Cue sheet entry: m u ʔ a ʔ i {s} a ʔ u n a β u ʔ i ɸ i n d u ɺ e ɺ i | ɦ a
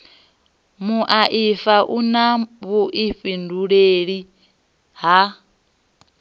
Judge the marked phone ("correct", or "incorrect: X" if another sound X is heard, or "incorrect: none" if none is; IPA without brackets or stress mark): incorrect: f